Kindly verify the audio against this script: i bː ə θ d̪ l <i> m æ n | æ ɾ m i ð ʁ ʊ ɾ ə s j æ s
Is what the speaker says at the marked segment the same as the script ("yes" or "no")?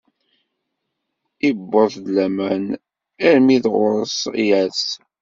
no